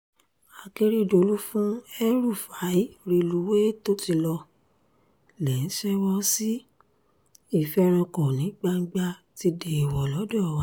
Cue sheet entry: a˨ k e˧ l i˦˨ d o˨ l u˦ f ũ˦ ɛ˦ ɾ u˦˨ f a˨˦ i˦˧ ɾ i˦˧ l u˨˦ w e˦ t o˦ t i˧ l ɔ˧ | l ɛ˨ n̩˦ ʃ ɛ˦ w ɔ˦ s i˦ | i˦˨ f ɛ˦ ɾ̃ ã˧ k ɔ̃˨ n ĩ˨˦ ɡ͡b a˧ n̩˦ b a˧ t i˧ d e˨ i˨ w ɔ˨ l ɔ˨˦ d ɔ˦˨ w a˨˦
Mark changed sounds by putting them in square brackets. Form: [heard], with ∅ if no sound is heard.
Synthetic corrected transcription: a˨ k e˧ [ɾ] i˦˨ d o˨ l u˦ f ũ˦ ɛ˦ ɾ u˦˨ f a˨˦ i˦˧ ɾ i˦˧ l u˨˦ w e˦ t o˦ t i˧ l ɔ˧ | l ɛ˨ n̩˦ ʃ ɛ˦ w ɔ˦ s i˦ | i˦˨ f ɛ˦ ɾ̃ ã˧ k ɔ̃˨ n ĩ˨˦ ɡ͡b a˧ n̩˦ [ɡ͡b] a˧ t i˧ d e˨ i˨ w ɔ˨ l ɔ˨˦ d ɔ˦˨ w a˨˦